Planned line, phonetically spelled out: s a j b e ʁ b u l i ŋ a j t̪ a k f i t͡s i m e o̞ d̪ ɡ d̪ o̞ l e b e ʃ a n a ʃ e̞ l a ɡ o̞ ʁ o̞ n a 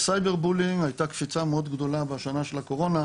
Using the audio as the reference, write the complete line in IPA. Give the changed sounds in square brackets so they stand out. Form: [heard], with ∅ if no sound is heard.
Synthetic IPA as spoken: s a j b e ʁ b u l i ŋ a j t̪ a k f i t͡s [a] m e o̞ d̪ ɡ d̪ o̞ l [a] b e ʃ a n a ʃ e̞ l a [k] o̞ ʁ o̞ n a